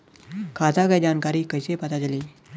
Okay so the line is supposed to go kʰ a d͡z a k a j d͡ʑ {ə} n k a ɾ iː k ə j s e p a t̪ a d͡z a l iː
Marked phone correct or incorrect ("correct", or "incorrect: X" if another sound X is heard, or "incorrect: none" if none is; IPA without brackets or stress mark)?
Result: incorrect: a